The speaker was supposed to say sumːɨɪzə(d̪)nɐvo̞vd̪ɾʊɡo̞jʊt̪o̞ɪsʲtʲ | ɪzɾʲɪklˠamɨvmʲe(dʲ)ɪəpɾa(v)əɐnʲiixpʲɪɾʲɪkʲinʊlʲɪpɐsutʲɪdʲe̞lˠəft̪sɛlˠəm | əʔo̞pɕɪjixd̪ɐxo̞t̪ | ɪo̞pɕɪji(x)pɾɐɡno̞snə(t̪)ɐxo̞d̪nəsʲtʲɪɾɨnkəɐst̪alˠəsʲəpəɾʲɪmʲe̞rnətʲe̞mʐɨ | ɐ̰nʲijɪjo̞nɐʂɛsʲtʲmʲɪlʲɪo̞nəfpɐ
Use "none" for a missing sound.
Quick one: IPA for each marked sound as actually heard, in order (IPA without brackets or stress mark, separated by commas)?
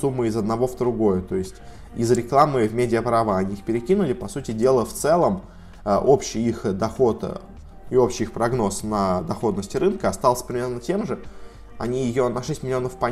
d̪, dʲ, v, x, d̪